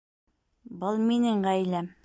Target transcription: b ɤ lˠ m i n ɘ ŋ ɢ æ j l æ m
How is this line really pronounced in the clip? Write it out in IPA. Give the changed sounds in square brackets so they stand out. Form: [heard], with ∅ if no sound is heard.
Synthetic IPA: b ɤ lˠ m i n ɘ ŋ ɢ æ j l æ m